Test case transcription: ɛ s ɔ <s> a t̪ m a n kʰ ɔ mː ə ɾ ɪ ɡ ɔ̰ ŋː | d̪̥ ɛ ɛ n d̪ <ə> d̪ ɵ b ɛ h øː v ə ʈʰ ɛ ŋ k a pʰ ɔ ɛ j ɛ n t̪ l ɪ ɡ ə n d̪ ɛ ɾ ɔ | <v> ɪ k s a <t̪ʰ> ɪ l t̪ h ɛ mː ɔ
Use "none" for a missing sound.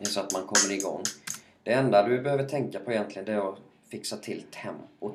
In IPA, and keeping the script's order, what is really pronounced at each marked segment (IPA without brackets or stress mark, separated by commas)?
none, a, f, t̪ʰ